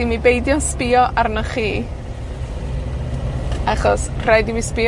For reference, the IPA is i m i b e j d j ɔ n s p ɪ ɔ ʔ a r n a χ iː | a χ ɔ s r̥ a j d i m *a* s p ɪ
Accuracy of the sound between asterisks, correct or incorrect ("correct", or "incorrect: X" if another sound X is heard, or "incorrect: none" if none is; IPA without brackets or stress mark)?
incorrect: i